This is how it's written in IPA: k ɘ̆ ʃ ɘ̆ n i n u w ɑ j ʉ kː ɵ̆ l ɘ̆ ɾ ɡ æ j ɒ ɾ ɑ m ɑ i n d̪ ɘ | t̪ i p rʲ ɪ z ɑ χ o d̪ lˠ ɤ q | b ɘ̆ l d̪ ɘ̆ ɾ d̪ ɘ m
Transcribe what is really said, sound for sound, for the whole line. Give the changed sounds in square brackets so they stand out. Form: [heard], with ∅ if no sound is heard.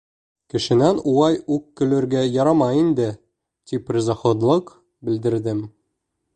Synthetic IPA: k ɘ̆ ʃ ɘ̆ n [æ] n u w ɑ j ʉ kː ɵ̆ l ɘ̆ ɾ ɡ æ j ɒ ɾ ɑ m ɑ i n d̪ ɘ | t̪ i p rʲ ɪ z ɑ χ o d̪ lˠ ɤ q | b ɘ̆ l d̪ ɘ̆ ɾ d̪ ɘ m